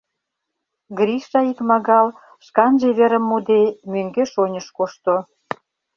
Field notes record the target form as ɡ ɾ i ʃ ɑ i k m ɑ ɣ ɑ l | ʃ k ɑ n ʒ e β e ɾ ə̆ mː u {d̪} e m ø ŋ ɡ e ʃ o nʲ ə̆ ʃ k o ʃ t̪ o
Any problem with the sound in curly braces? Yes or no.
no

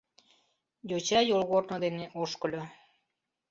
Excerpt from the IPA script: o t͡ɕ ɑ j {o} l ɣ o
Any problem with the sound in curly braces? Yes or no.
no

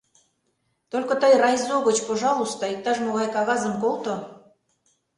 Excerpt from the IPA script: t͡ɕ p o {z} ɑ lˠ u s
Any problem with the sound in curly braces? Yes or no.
yes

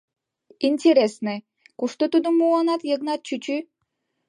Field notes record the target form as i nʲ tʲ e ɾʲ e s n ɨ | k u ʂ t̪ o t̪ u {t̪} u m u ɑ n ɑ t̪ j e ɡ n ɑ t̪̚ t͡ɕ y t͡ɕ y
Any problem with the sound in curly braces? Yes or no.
yes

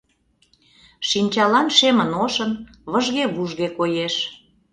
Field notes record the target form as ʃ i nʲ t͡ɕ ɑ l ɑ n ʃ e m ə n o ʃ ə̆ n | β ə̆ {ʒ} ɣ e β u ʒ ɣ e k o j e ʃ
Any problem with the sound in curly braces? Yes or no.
no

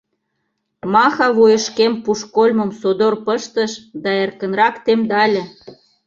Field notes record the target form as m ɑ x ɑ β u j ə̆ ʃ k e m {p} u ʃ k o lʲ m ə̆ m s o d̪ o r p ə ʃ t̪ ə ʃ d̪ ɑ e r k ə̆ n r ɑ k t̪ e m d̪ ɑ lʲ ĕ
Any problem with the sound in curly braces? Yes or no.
no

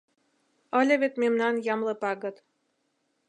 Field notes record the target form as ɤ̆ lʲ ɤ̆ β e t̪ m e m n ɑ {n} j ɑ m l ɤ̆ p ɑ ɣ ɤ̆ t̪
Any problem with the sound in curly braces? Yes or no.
no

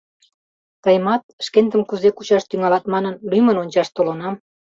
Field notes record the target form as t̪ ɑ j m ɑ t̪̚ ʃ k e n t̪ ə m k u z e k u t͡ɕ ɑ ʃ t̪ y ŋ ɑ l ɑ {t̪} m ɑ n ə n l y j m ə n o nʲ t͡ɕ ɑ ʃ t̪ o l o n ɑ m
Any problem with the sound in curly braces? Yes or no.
no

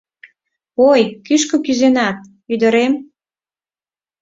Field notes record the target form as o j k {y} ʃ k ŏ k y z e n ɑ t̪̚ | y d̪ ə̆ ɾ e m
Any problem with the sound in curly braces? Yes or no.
no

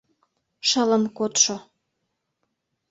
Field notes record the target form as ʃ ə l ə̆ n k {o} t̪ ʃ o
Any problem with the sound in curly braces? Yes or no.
no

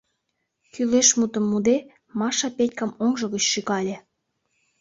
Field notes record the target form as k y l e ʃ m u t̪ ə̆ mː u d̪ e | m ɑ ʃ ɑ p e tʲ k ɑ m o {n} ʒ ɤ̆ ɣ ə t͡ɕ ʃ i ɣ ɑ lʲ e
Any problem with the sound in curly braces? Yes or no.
yes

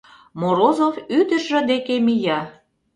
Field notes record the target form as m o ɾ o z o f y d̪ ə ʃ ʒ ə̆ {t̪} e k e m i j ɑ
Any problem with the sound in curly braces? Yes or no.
yes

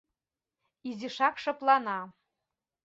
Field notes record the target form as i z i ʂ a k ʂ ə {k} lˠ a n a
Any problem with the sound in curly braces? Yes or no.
yes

